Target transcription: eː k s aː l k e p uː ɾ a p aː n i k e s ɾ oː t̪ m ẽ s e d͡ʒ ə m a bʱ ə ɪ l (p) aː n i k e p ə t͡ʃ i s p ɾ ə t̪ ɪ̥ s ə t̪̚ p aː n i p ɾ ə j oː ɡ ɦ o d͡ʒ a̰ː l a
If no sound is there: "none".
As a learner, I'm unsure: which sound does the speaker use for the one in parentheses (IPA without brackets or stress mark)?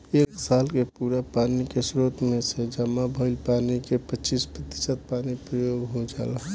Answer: p